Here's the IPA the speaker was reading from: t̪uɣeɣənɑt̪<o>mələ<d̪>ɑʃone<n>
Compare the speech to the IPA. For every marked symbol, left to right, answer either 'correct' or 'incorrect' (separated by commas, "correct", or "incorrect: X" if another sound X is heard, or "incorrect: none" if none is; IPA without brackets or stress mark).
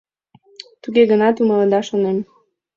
incorrect: u, correct, incorrect: m